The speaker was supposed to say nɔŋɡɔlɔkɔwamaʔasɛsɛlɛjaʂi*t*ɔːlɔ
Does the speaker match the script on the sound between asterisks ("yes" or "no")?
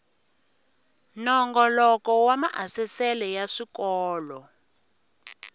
no